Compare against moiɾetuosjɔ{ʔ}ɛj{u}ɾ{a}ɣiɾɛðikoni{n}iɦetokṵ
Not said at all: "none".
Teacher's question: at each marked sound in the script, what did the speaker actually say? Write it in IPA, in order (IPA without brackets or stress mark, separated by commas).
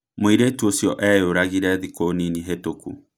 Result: ʔ, o, a, n